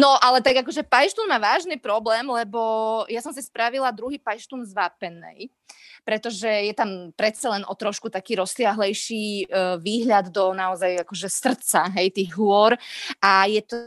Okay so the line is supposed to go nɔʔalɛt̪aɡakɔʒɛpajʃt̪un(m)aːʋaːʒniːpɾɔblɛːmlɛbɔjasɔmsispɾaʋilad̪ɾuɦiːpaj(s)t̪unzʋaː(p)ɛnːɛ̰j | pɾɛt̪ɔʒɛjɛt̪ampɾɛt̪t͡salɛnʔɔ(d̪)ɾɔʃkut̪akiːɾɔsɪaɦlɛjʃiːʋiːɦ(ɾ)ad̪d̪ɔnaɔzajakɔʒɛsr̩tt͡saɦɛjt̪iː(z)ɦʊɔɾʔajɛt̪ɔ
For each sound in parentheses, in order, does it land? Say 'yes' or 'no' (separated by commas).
yes, no, yes, no, no, no